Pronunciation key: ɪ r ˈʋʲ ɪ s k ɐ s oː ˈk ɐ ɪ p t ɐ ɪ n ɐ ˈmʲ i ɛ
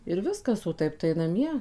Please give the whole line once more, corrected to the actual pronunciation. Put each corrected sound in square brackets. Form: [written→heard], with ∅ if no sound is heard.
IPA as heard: ɪ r ˈʋʲ ɪ s k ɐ s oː [ˈk→ˈt] ɐ ɪ p t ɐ ɪ n ɐ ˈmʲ i ɛ